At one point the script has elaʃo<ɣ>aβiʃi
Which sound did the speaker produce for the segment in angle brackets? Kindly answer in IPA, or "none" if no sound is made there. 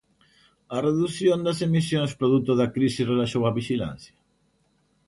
w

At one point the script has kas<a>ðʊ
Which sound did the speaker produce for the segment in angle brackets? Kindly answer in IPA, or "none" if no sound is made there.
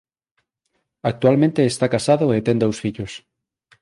a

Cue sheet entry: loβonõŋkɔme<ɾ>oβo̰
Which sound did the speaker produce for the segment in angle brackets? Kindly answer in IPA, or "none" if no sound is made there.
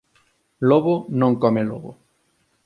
l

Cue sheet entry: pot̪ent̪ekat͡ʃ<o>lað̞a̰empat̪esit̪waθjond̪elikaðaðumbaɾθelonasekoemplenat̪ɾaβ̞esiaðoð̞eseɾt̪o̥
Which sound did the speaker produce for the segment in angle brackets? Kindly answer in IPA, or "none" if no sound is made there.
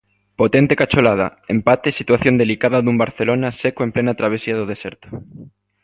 o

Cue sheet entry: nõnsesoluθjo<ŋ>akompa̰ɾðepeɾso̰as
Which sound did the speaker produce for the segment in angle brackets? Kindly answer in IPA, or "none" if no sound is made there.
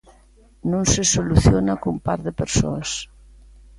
n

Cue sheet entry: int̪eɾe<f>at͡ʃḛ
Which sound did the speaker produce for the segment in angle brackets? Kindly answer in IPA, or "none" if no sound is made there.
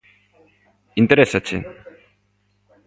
s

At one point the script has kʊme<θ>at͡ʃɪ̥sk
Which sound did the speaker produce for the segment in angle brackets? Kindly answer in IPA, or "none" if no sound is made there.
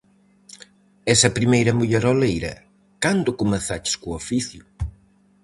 θ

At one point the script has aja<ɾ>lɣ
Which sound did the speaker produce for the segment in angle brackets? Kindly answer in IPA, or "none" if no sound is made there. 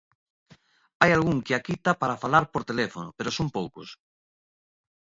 none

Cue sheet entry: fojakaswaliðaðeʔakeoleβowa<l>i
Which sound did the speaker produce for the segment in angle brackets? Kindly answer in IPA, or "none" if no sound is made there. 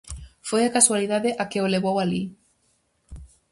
l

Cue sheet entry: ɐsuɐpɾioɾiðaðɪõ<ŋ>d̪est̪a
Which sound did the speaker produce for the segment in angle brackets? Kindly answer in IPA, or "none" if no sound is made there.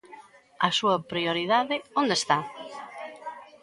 n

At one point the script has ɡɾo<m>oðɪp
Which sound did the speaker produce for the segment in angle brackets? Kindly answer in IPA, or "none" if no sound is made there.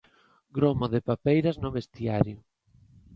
m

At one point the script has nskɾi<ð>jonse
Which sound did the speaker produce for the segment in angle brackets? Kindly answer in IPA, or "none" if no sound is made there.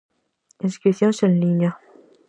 θ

